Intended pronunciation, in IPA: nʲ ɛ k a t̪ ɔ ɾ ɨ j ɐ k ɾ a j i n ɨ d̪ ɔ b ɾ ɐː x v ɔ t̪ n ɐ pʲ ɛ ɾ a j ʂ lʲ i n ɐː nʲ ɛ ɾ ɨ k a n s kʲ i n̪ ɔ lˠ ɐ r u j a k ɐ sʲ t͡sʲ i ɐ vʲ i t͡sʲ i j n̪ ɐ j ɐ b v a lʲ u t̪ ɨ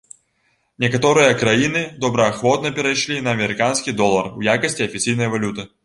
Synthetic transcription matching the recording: nʲ ɛ k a t̪ ɔ ɾ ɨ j ɐ k ɾ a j i n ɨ d̪ ɔ b ɾ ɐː x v ɔ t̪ n ɐ pʲ ɛ ɾ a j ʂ lʲ i n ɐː mʲ ɛ ɾ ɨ k a n s kʲ i d̪ ɔ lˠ ɐ r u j a k ɐ sʲ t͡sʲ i ɐ fʲ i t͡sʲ i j n̪ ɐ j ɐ v a lʲ u t̪ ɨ